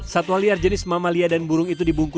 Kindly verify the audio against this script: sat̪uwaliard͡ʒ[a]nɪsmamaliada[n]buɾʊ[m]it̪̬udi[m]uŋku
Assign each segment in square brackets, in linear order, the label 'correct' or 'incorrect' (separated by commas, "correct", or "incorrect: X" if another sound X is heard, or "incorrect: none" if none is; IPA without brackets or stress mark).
incorrect: ə, correct, incorrect: ŋ, incorrect: b